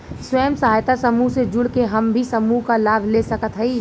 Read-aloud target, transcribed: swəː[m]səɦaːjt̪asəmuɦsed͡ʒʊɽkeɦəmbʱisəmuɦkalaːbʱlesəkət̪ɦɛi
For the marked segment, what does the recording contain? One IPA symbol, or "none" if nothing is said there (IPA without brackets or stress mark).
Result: m